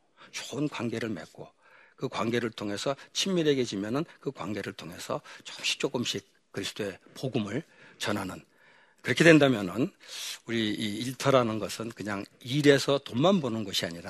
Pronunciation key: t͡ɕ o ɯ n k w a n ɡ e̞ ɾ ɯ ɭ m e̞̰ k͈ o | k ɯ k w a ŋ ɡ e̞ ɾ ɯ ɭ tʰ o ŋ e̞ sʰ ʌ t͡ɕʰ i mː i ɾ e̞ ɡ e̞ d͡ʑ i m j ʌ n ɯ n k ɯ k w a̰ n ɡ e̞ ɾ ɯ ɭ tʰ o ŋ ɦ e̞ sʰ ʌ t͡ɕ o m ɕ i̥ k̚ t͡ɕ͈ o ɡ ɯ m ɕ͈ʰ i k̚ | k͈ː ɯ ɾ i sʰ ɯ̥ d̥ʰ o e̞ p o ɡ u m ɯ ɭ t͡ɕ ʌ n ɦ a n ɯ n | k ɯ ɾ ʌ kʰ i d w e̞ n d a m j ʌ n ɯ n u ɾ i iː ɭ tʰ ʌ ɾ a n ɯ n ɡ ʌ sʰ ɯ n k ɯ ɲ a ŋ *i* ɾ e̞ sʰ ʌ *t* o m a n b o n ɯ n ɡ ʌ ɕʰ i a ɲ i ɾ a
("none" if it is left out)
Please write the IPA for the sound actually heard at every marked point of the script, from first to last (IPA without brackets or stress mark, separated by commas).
i, t